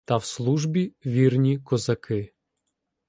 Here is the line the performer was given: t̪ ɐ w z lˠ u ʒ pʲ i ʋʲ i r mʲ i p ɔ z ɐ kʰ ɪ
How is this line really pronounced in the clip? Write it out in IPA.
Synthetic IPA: t̪ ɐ w s lˠ u ʒ bʲ i ʋʲ i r nʲ i k ɔ z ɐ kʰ ɪ

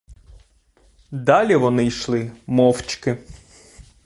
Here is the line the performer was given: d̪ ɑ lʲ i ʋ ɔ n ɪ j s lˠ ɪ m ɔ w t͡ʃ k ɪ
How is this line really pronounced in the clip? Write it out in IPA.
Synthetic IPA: d̪ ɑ lʲ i ʋ ɔ n ɪ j ʃ lˠ ɪ m ɔ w t͡ʃ k ɪ

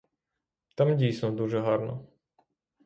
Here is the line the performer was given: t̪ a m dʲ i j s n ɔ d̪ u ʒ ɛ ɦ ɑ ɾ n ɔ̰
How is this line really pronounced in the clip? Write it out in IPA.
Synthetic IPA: t̪ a m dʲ i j s n ɔ d̪ u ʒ ɛ ɦ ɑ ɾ n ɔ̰

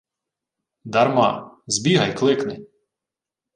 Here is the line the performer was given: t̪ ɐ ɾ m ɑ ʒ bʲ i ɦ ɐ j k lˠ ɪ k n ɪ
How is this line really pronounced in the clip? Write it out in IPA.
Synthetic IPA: d̪ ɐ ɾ m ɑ z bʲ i ɦ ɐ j k lˠ ɪ k n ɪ

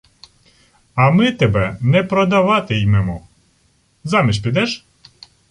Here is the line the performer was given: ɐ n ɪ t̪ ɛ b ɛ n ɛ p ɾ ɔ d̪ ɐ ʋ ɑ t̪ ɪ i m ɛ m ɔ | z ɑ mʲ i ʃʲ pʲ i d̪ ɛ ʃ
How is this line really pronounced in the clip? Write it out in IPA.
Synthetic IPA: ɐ m ɪ t̪ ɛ b ɛ n ɛ p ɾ ɔ d̪ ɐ ʋ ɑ t̪ ɪ j m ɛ m ɔ | z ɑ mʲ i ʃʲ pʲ i d̪ ɛ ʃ

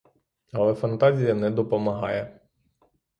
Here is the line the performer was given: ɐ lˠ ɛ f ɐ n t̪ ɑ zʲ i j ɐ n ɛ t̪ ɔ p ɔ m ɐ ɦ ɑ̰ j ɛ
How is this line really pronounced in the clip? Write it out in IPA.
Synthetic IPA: ɐ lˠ ɛ f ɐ n t̪ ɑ zʲ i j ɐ n ɛ d̪ ɔ p ɔ m ɐ ɦ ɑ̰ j ɛ

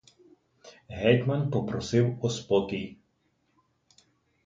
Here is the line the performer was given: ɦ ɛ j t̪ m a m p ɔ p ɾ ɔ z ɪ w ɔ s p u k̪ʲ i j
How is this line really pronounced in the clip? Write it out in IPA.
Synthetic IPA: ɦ ɛ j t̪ m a n p ɔ p ɾ ɔ s ɪ w ɔ s p ɔ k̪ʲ i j

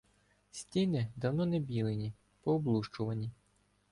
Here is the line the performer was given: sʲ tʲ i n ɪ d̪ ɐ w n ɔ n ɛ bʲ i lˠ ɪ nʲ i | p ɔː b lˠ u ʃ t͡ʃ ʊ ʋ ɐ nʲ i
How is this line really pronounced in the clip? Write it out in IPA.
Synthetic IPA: sʲ tʲ i n ɪ d̪ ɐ w n ɔ n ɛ bʲ i lˠ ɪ nʲ i | p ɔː b lˠ u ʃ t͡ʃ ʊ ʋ ɐ nʲ i

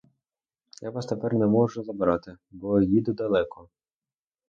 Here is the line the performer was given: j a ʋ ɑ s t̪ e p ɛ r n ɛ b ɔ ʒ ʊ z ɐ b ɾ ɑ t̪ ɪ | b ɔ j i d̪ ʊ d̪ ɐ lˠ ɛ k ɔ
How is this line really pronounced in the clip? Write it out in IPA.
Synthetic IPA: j a ʋ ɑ s t̪ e p ɛ r n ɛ m ɔ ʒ ʊ z ɐ b ɾ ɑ t̪ ɪ | b ɔ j i d̪ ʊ d̪ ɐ lˠ ɛ k ɔ

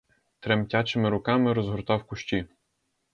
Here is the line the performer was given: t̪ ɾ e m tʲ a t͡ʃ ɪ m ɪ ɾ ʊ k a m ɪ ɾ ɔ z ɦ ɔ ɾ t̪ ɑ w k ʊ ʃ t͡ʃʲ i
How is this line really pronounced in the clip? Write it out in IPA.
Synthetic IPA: t̪ ɾ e m tʲ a t͡ʃ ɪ m ɪ ɾ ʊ k ɑ m ɪ ɾ ɔ z ɦ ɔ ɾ t̪ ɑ w k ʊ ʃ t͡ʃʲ i

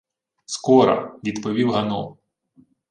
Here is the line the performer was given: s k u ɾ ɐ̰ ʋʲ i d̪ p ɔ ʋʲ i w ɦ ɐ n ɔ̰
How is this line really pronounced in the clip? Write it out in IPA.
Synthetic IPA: s k ɔ ɾ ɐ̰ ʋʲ i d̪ p ɔ ʋʲ i w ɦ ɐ n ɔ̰

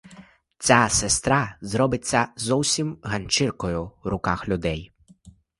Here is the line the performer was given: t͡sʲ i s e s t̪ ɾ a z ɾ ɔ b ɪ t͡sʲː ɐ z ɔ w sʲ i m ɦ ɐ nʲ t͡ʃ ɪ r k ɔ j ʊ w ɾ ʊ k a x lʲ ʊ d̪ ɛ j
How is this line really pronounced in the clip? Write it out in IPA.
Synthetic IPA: t͡sʲ a s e s t̪ ɾ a z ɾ ɔ b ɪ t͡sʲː ɐ z ɔ w sʲ i m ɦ ɐ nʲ t͡ʃ ɪ r k ɔ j ʊ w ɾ ʊ k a x lʲ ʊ d̪ ɛ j

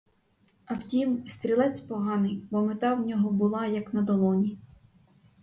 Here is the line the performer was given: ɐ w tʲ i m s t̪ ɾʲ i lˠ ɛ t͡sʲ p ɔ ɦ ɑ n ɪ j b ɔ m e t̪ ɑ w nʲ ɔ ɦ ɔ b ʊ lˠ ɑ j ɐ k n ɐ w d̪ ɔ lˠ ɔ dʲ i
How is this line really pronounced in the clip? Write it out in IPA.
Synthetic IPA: ɐ w tʲ i m s t̪ ɾʲ i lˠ ɛ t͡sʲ p ɔ ɦ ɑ n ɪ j b ɔ m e t̪ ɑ w nʲ ɔ ɦ ɔ b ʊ lˠ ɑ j ɐ k n ɐ d̪ ɔ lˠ ɔ nʲ i

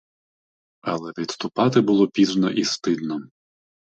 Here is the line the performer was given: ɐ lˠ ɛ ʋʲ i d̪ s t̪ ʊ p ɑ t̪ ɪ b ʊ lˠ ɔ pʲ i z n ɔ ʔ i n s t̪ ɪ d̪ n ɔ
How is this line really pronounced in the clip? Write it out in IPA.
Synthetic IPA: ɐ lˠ ɛ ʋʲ i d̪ s t̪ ʊ p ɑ t̪ ɪ b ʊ lˠ ɔ pʲ i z n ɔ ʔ i s t̪ ɪ d̪ n ɔ

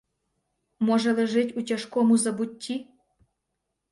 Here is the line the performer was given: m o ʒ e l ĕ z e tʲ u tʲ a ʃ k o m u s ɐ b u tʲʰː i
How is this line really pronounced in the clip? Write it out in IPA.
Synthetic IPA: m o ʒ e l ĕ ʒ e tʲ u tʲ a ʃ k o m u z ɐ b u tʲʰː i

